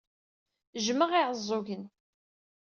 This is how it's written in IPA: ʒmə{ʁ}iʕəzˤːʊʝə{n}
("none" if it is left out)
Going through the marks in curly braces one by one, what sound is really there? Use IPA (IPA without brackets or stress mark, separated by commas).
ʁ, n